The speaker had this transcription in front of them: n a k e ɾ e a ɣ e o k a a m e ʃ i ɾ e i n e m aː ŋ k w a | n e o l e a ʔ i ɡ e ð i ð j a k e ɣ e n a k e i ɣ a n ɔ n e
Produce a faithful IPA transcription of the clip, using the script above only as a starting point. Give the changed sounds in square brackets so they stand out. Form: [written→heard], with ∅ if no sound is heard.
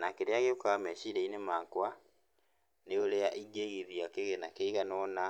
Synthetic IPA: n a k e ɾ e a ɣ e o k a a m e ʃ i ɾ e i n e m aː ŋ k w a | n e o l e a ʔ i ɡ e [ð→ɣ] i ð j a k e ɣ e n a k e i ɣ a n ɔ n [e→a]